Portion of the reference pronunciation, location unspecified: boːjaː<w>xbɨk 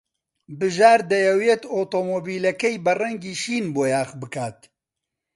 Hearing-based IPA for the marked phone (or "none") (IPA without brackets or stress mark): none